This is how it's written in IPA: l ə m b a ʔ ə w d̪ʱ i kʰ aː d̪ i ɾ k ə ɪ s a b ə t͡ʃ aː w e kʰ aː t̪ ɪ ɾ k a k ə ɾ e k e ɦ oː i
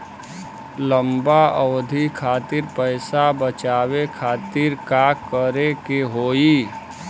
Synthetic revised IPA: l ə m b a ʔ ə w d̪ʱ i kʰ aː t̪ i ɾ p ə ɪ s a b ə t͡ʃ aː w e kʰ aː t̪ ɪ ɾ k a k ə ɾ e k e ɦ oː i